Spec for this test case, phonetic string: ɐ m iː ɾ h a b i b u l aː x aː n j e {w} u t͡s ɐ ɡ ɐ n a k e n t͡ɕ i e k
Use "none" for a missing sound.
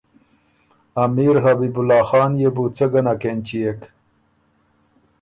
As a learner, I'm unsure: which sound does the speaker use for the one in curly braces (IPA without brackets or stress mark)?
b